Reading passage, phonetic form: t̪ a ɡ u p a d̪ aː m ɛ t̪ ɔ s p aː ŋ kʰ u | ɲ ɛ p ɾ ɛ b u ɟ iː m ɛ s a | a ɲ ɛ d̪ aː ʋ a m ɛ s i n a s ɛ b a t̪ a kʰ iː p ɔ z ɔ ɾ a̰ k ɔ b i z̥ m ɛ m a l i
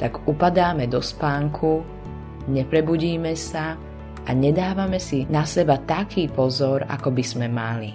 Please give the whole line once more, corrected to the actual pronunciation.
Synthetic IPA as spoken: t̪ a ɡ u p a d̪ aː m ɛ d̪ ɔ s p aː ŋ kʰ u | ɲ ɛ p ɾ ɛ b u ɟ iː m ɛ s a | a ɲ ɛ d̪ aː ʋ a m ɛ s i n a s ɛ b a t̪ a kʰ iː p ɔ z ɔ ɾ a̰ k ɔ b i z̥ m ɛ m a l i